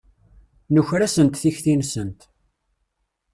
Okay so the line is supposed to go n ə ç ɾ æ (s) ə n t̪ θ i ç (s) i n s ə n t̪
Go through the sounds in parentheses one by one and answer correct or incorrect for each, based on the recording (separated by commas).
correct, incorrect